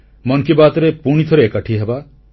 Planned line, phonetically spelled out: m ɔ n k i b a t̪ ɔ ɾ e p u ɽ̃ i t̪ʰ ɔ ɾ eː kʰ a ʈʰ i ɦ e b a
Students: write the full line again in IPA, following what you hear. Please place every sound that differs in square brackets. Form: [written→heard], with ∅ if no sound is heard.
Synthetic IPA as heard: m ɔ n k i b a t̪ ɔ ɾ e p u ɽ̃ i t̪ʰ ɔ ɾ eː [kʰ→k] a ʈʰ i ɦ e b a